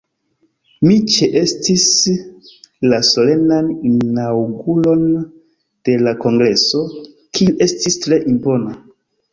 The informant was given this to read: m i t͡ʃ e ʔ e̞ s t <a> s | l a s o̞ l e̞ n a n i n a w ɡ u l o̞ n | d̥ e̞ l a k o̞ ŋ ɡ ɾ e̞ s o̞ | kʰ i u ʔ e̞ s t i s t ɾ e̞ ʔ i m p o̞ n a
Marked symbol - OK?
no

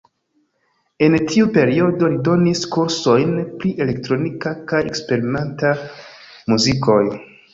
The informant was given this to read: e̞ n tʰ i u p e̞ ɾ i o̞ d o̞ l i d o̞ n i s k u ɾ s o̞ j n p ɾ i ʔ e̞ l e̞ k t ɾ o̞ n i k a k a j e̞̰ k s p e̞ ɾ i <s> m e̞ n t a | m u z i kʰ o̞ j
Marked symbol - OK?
no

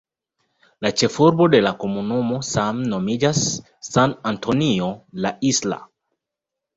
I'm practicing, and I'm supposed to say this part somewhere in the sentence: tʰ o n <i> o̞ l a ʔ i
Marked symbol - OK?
yes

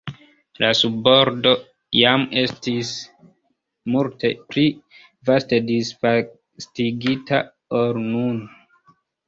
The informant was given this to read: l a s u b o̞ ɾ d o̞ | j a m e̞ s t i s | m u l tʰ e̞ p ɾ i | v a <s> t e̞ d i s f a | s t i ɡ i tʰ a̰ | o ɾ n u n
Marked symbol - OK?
yes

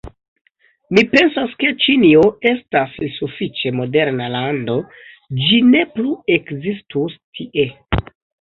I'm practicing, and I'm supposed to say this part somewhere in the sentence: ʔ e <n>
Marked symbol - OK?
no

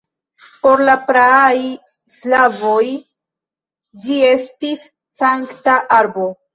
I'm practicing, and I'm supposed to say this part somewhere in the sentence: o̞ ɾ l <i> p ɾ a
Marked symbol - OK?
no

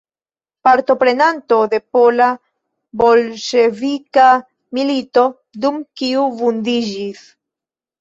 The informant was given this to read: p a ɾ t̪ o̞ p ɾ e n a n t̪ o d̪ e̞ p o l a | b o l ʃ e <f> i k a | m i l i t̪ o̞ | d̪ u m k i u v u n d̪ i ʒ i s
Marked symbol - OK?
no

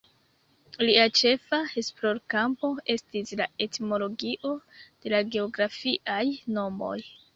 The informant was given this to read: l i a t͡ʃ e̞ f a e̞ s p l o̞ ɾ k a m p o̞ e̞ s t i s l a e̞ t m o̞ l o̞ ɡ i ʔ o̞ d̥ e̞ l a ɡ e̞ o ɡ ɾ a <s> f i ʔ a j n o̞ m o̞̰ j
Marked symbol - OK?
no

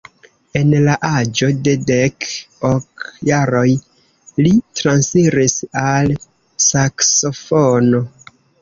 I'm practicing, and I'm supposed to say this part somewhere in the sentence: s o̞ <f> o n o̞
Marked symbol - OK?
yes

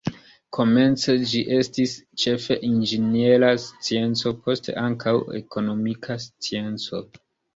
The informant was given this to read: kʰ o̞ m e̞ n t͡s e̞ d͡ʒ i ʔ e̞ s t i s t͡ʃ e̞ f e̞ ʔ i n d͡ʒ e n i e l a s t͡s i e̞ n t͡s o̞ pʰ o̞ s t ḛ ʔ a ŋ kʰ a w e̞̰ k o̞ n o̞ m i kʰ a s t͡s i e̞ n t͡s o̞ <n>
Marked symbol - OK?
no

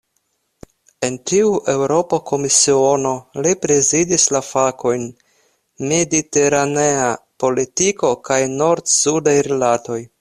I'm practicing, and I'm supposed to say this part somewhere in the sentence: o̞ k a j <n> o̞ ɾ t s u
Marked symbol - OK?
yes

